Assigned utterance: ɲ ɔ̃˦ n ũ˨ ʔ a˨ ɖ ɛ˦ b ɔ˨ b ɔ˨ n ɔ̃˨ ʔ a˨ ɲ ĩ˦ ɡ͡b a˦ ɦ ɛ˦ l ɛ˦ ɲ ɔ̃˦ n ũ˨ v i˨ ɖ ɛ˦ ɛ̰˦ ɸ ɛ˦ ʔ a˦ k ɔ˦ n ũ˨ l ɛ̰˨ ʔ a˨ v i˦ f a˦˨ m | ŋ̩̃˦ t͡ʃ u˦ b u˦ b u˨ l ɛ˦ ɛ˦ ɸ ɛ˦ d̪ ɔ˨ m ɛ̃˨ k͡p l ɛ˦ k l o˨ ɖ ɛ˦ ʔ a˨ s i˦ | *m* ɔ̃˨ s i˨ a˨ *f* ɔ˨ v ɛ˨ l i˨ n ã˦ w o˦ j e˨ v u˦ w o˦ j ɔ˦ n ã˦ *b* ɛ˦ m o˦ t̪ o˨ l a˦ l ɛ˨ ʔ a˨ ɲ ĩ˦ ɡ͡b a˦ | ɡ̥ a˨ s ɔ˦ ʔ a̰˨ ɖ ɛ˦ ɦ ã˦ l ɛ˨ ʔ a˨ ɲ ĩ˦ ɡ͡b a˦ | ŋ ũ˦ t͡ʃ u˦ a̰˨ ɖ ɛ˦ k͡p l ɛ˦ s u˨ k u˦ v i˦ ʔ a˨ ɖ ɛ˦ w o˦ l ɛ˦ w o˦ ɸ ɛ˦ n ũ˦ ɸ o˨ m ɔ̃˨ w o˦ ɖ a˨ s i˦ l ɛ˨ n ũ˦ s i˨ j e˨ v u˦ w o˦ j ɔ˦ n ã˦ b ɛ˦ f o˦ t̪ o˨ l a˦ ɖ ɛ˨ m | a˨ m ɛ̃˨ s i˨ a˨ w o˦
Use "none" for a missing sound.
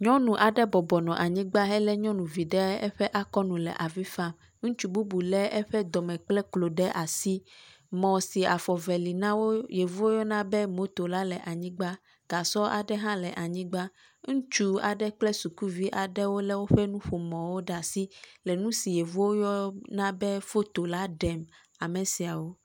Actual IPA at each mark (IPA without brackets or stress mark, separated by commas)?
m, f, b